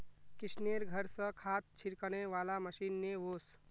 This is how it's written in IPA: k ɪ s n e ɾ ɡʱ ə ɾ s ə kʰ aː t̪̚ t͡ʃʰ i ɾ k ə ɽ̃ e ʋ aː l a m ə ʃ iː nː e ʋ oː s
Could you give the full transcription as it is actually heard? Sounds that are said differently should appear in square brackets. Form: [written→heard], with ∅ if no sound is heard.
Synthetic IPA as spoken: k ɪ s n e ɾ ɡʱ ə ɾ s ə kʰ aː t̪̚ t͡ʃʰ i ɾ k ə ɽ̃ e ʋ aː l a m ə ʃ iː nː e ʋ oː s